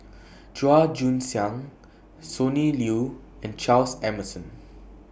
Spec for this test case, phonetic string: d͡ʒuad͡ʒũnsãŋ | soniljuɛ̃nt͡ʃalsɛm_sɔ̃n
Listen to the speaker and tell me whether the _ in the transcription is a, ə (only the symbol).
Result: ə